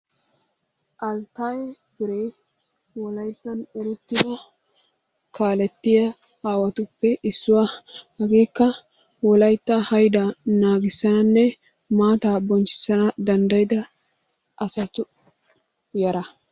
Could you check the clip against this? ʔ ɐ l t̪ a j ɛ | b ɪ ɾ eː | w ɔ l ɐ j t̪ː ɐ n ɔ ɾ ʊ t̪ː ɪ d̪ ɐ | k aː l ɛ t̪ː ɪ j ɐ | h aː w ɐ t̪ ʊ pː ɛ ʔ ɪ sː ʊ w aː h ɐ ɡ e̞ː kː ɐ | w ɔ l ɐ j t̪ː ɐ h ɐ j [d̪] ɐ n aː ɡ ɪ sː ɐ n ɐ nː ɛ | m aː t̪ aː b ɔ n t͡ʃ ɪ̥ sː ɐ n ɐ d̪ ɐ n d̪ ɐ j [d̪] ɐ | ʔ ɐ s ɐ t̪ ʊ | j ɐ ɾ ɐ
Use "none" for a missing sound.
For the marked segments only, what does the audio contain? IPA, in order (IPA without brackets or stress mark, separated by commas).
d̪, d̪